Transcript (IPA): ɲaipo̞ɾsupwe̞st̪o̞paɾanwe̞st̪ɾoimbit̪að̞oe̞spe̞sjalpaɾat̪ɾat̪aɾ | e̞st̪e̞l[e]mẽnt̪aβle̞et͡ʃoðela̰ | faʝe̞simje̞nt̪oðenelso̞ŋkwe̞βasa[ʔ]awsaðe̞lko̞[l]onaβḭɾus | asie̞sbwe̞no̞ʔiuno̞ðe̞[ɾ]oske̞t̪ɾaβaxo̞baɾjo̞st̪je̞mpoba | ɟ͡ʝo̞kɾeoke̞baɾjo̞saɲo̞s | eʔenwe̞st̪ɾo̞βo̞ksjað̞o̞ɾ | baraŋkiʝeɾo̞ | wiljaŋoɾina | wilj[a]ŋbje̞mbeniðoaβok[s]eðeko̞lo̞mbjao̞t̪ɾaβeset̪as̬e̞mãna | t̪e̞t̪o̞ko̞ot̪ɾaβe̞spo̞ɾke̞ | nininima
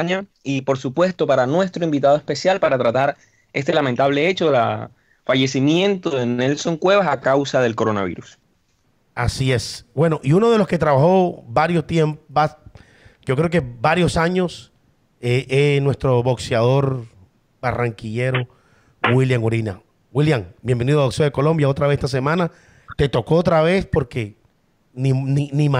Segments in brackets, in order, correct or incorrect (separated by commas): incorrect, incorrect, incorrect, incorrect, correct, correct